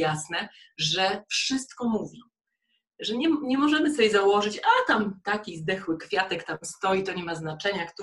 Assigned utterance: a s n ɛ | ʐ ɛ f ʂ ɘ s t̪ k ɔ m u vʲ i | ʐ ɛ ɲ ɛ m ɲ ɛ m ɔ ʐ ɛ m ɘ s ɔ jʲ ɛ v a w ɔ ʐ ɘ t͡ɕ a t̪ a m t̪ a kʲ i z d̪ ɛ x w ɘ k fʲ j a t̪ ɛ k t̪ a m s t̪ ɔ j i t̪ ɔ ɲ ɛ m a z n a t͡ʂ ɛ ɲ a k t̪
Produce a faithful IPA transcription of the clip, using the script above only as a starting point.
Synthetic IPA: a s n ɛ | ʐ ɛ f ʂ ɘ s t̪ k ɔ m u vʲ i | ʐ ɛ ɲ ɛ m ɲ ɛ m ɔ ʐ ɛ m ɘ s ɔ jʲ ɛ z a w ɔ ʐ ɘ t͡ɕ a t̪ a m t̪ a kʲ i z d̪ ɛ x w ɘ k fʲ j a t̪ ɛ k t̪ a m s t̪ ɔ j i t̪ ɔ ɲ ɛ m a z n a t͡ʂ ɛ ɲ a k t̪